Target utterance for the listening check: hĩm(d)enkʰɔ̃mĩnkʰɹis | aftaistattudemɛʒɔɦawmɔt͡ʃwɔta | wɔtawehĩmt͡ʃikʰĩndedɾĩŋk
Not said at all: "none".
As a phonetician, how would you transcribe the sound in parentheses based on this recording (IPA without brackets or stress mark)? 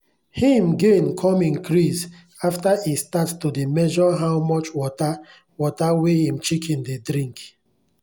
ɡ